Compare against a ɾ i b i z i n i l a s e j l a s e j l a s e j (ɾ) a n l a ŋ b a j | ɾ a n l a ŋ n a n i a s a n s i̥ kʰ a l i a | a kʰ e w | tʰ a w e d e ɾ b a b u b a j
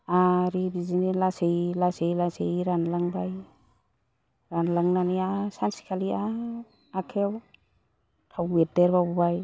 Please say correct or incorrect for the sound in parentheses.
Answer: correct